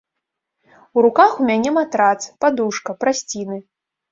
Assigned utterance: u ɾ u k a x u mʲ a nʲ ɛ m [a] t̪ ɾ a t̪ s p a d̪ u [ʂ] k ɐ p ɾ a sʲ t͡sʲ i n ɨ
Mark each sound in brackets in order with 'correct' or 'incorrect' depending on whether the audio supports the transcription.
correct, correct

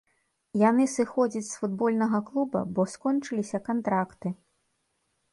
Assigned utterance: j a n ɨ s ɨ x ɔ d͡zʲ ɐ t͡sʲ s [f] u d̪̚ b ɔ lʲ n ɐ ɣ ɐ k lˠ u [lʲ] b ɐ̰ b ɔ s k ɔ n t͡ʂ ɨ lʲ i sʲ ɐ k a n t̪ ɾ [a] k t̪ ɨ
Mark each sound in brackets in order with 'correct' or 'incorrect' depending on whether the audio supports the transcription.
correct, incorrect: none, correct

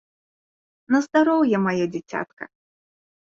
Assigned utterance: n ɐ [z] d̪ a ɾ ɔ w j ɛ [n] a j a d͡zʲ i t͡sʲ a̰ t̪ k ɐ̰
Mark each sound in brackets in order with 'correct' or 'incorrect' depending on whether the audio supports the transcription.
correct, incorrect: m

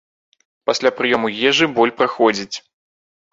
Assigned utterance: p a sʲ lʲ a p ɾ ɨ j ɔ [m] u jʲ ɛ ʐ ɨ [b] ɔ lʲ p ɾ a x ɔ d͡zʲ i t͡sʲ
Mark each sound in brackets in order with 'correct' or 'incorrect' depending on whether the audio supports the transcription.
correct, correct

